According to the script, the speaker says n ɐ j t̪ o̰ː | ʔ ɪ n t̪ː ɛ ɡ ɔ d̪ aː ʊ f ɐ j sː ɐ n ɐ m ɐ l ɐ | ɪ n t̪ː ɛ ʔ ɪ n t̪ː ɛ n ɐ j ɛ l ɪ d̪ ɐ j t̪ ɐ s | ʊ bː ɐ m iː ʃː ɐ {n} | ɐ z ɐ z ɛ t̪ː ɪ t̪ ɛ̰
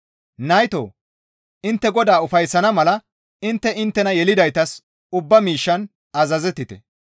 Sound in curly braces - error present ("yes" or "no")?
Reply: no